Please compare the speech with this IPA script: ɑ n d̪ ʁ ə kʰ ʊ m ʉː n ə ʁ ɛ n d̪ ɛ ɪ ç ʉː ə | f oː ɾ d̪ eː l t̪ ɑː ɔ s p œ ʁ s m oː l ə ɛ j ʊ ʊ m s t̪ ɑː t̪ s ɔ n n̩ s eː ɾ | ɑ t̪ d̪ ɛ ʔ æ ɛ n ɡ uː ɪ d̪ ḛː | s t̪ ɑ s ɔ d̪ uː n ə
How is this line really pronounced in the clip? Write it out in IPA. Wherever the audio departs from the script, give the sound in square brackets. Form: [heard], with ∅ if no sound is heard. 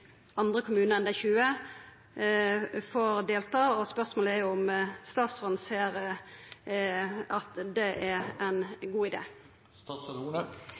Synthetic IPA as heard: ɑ n d̪ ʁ ə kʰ ʊ m ʉː n ə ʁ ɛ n d̪ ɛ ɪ ç ʉː ə | f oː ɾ d̪ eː l t̪ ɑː ɔ s p œ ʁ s m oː l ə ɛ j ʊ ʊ m s t̪ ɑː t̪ s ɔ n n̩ s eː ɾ | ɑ t̪ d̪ ɛ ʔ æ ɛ n ɡ uː ɪ d̪ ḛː | s t̪ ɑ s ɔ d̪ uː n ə